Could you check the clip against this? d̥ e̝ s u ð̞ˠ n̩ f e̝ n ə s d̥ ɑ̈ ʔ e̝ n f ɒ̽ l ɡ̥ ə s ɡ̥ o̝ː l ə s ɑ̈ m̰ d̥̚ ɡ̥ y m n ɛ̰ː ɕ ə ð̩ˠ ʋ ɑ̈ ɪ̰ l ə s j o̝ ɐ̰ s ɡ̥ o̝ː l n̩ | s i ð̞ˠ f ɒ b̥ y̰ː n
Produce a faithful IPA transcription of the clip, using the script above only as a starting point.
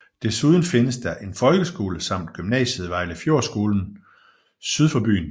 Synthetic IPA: d̥ e̝ s u ð̞ˠ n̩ f e̝ n ə s d̥ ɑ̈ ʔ e̝ n f ɒ̽ l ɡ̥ ə s ɡ̥ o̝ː l ə s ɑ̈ m̰ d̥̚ ɡ̥ y m n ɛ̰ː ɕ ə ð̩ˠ ʋ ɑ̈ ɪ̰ l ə f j o̝ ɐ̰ s ɡ̥ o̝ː l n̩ | s y ð̞ˠ f ɒ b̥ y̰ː n